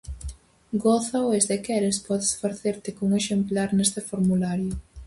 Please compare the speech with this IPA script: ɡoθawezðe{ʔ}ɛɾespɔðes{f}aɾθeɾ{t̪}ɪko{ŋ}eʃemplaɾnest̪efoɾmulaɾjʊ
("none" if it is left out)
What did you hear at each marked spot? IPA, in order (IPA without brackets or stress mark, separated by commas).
k, f, t̪, ŋ